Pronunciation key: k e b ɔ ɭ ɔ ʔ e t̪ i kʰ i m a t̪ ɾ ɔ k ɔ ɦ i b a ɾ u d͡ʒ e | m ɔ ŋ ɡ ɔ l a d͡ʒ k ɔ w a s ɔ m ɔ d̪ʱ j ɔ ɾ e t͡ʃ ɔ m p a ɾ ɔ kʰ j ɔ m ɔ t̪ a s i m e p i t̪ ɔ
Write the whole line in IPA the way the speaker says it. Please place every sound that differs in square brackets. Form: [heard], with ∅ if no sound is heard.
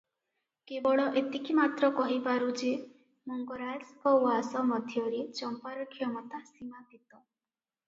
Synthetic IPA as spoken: k e b ɔ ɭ ɔ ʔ e t̪ i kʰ i m a t̪ ɾ ɔ k ɔ ɦ i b a ɾ u d͡ʒ e | m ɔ ŋ ɡ ɔ [ɾ] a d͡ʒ k ɔ w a s ɔ m ɔ d̪ʱ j ɔ ɾ e t͡ʃ ɔ m p a ɾ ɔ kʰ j ɔ m ɔ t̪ a s i m [a] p i t̪ ɔ